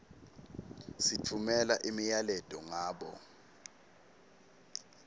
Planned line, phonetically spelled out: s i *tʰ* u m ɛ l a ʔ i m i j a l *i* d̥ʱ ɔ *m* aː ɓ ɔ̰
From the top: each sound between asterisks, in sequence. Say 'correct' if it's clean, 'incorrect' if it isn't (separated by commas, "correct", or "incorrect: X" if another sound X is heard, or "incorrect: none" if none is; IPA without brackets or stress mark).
correct, incorrect: ɛ, incorrect: ŋ